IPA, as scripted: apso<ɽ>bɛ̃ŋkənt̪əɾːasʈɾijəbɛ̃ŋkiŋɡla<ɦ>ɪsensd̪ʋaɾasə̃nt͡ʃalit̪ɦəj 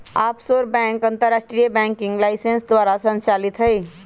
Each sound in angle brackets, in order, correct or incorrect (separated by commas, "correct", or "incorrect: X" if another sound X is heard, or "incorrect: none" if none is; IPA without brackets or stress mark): incorrect: ɾ, incorrect: none